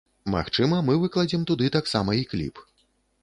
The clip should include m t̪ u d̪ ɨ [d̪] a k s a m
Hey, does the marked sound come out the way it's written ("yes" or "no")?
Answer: no